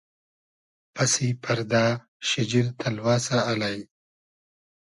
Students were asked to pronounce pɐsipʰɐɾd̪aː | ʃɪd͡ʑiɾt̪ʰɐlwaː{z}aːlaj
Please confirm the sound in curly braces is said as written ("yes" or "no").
no